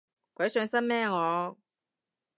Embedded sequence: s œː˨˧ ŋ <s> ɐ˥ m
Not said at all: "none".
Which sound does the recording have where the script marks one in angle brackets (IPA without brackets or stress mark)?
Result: s